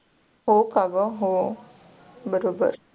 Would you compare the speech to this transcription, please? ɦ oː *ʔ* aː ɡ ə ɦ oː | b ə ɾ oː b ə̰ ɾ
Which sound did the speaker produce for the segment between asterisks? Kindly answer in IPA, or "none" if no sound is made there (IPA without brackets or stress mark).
k